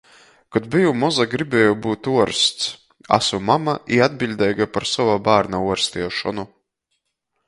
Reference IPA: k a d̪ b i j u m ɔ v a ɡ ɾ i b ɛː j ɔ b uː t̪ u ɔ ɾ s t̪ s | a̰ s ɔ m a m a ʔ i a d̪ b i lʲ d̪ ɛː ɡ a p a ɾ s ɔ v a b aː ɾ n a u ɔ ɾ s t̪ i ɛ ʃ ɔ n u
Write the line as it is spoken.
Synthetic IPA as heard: k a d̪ b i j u m ɔ z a ɡ ɾ i b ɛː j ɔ b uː t̪ u ɔ ɾ s t̪ s | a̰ s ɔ m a m a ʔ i a d̪ b i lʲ d̪ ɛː ɡ a p a ɾ s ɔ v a b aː ɾ n a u ɔ ɾ s t̪ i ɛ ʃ ɔ n u